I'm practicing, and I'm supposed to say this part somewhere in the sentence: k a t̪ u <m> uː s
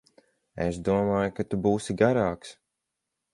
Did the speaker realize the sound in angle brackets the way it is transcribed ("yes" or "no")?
no